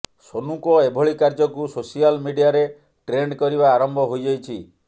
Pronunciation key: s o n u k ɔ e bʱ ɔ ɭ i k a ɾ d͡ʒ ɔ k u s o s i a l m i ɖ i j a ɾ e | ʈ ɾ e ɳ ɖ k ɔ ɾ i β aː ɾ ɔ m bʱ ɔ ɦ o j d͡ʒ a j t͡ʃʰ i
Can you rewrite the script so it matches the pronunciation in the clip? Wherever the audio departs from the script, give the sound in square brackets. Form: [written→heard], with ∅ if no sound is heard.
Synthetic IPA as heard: s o n u k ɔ e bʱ ɔ ɭ i k a ɾ d͡ʒ ɔ k u s o s i a l m i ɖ i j a ɾ e | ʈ ɾ e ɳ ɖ k ɔ ɾ i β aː ɾ ɔ m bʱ ɔ ɦ o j d͡ʒ a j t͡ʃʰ i